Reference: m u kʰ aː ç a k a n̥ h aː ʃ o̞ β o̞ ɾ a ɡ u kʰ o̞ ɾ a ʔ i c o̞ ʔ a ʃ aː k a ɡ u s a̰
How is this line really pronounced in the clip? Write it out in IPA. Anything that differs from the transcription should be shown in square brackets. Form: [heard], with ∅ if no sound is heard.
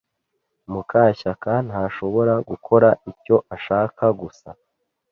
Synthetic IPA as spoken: m u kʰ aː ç a k a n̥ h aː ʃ o̞ β o̞ ɾ a ɡ u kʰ o̞ ɾ a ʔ i c o̞ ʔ a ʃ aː k a ɡ u s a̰